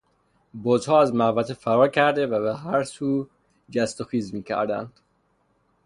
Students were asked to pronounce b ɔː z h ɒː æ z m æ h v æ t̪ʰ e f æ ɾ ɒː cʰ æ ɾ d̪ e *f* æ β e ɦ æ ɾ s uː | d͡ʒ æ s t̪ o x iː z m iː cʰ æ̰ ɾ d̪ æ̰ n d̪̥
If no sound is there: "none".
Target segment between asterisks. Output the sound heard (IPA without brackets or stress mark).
v